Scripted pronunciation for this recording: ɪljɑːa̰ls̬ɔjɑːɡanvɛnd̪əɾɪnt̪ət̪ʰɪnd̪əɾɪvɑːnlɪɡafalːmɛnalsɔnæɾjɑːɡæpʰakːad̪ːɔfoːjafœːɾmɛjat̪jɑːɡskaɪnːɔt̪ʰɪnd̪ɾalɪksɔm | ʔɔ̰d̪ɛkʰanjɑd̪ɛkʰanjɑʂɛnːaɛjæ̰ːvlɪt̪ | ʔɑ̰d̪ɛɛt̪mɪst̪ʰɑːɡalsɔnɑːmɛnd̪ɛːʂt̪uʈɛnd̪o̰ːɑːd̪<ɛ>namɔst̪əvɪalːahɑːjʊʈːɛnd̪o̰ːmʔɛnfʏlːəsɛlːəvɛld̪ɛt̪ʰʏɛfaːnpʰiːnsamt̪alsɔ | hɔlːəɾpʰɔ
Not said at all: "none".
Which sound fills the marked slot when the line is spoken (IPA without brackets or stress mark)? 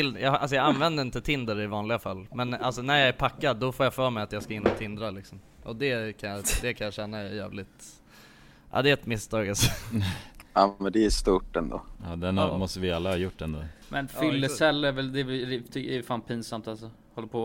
ɛ